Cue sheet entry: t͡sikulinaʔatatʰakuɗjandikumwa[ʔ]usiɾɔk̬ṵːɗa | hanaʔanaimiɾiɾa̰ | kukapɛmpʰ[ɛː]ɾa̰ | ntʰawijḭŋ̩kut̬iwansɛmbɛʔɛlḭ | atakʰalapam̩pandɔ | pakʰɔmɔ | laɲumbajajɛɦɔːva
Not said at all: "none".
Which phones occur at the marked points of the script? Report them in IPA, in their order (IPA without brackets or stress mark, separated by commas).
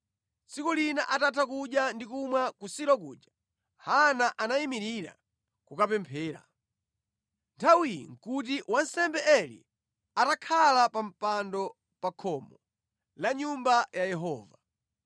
k, ɛː